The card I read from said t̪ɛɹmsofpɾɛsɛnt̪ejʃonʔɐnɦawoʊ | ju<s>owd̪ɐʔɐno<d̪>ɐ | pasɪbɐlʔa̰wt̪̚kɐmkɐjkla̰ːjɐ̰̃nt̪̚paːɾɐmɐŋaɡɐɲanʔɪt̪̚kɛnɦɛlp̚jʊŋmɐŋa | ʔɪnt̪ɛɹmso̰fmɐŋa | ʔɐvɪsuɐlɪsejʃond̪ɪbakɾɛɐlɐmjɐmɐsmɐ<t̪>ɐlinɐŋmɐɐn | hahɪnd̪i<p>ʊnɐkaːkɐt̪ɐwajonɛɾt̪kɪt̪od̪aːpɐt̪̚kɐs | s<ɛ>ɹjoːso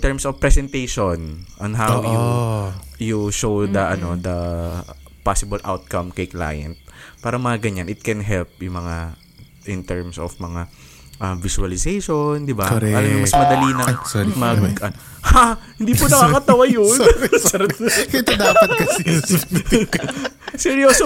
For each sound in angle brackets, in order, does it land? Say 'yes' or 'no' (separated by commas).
no, yes, no, yes, yes